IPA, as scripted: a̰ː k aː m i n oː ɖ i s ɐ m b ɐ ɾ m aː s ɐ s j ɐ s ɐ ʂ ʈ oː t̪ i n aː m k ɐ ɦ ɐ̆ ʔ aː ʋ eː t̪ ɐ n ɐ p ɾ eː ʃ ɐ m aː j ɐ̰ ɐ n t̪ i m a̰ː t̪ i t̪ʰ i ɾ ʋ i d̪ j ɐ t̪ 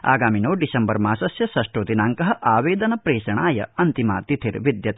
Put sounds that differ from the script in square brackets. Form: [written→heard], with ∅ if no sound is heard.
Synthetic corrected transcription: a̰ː [k→ɡ] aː m i n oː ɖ i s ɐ m b ɐ ɾ m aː s ɐ s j ɐ s ɐ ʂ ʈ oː t̪ i n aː [m→ŋ] k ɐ ɦ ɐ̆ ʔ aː ʋ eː [t̪→d̪] ɐ n ɐ p ɾ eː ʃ ɐ [m→ɳ] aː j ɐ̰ ɐ n t̪ i m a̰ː t̪ i t̪ʰ i ɾ ʋ i d̪ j ɐ t̪